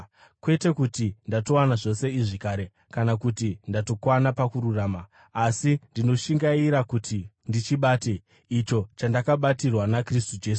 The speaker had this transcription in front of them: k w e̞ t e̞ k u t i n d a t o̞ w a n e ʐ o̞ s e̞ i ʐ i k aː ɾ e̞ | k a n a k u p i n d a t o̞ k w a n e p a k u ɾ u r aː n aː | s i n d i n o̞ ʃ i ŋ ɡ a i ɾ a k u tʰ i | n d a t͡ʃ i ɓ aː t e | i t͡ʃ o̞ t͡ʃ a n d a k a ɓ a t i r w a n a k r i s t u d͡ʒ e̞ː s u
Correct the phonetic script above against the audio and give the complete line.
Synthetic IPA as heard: k w e̞ t e̞ k u t i n d a t o̞ w a n a ʐ o̞ s e̞ i ʐ i k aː ɾ e̞ | k a n a k u t i n d a t o̞ k w a n a p a k u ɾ u r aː m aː | s i n d i n o̞ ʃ i ŋ ɡ a i ɾ a k u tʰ i | n d i t͡ʃ i ɓ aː t e | i t͡ʃ o̞ t͡ʃ a n d a k a ɓ a t i r w a n a k r i s t u d͡ʒ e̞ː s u